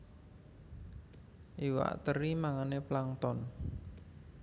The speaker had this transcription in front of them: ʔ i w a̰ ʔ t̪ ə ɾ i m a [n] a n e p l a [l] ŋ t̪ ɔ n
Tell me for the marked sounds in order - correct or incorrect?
incorrect, incorrect

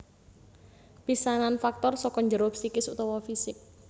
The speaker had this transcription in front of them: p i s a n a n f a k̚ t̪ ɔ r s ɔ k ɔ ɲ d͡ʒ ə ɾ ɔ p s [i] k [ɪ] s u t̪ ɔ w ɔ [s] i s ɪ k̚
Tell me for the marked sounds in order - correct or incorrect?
correct, correct, incorrect

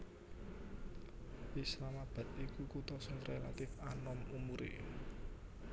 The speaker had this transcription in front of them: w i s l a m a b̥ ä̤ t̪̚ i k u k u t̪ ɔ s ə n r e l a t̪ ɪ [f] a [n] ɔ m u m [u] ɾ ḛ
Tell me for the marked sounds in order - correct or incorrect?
correct, correct, correct

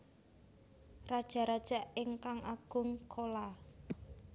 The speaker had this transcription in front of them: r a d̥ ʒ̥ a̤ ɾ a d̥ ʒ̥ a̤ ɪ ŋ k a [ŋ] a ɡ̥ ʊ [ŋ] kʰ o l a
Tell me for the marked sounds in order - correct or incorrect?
correct, correct

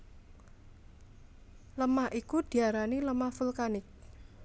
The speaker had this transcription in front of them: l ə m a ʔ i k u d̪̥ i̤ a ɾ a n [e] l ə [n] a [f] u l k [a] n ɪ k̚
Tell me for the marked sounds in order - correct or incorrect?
incorrect, incorrect, correct, correct

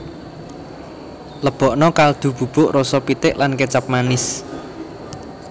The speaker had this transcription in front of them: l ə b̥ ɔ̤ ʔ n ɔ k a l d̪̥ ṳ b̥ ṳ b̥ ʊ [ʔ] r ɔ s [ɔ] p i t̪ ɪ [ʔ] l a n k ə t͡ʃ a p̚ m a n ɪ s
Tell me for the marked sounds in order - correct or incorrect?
correct, correct, correct

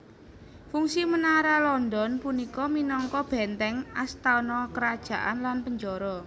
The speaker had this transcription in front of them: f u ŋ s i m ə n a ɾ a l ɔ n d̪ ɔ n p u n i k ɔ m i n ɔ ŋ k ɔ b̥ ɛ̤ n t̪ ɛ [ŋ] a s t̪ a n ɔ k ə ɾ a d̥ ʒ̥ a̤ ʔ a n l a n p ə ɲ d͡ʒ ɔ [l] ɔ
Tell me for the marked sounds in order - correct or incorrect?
correct, incorrect

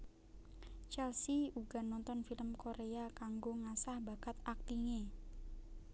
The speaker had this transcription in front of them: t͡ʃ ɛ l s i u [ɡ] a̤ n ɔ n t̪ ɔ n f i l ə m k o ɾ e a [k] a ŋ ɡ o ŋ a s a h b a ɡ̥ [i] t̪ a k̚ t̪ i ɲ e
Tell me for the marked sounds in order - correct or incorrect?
correct, correct, incorrect

